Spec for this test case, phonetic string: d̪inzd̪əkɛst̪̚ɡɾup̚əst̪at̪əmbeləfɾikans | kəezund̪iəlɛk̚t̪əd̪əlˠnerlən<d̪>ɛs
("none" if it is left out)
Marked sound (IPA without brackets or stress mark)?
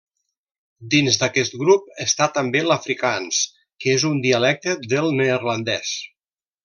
d̪